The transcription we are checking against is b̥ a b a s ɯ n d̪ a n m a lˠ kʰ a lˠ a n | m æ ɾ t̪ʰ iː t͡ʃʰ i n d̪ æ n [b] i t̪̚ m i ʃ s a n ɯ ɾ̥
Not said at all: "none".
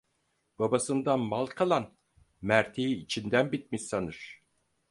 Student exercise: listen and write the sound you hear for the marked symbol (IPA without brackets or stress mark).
b